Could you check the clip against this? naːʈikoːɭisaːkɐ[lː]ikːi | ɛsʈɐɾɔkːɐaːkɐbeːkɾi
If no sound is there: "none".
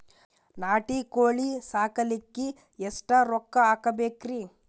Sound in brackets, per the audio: l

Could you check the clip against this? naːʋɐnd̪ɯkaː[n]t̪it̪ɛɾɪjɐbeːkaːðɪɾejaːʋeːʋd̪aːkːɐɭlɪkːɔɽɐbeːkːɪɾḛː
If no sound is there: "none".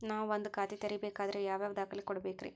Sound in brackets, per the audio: none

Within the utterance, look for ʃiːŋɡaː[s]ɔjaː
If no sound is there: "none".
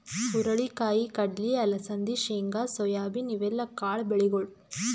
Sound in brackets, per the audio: s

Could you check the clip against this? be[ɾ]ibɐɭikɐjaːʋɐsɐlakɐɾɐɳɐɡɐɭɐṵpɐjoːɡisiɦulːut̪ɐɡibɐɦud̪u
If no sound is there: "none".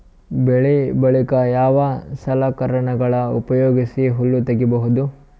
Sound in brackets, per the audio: ɭ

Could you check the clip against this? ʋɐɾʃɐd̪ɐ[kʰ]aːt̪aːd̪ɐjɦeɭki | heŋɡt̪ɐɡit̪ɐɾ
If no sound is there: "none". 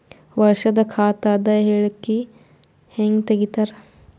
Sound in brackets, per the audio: kʰ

